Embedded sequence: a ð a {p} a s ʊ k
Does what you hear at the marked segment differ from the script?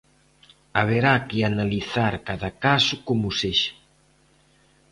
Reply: yes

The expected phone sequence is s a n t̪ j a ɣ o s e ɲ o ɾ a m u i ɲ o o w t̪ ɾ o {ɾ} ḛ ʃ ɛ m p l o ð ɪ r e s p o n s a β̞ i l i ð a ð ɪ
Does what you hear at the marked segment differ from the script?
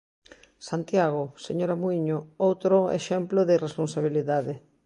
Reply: yes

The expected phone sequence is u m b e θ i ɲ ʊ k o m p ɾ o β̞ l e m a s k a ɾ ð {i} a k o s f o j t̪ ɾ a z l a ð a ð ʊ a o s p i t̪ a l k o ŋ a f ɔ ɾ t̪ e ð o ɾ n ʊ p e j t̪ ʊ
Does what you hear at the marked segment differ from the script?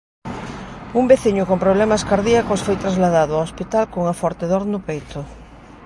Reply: no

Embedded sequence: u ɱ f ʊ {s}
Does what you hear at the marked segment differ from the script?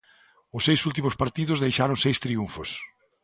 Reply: no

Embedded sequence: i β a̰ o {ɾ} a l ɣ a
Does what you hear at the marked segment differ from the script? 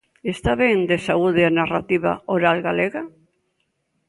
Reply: no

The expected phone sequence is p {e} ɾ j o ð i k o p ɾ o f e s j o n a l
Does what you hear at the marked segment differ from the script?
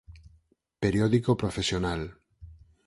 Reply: no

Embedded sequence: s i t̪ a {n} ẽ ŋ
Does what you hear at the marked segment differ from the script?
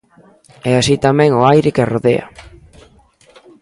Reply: yes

